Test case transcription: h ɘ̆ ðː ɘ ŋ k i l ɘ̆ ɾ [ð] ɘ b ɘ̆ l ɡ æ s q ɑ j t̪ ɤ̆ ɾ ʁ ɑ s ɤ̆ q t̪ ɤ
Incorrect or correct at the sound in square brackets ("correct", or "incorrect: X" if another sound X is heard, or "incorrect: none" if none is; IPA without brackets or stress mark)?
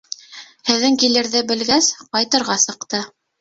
correct